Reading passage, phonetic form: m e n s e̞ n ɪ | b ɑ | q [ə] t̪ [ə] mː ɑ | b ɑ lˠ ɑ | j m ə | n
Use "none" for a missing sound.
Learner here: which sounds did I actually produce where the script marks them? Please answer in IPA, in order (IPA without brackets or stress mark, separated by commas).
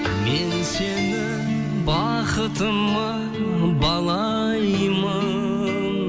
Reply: ə, ə